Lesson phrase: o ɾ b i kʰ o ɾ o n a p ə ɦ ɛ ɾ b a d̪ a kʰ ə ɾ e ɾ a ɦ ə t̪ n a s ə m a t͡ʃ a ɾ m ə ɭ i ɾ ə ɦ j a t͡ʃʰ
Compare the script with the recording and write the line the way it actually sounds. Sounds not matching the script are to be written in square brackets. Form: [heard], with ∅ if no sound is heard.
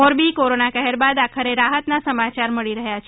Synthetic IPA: o ɾ b i [k] o ɾ o n a [k] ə ɦ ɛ ɾ b a d̪ a kʰ ə ɾ e ɾ a ɦ ə t̪ n a s ə m a t͡ʃ a ɾ m ə ɭ i ɾ ə ɦ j a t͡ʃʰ